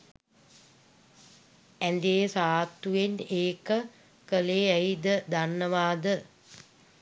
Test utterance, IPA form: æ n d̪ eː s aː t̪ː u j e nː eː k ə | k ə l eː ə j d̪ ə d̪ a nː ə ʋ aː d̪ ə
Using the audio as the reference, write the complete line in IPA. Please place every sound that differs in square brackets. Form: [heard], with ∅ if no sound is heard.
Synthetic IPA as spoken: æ n d̪ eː s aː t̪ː u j e [n] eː k ə | k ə l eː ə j d̪ ə d̪ a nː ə ʋ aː d̪ ə